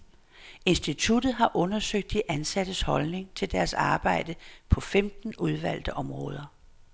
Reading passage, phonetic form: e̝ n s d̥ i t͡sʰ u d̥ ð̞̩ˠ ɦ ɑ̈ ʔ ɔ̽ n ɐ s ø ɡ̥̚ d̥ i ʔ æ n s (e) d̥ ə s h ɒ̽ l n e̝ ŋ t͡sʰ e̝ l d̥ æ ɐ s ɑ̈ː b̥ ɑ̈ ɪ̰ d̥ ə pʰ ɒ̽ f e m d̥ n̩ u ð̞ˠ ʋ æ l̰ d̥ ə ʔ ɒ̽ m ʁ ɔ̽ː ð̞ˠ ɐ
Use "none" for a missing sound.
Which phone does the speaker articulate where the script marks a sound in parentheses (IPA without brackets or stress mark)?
æ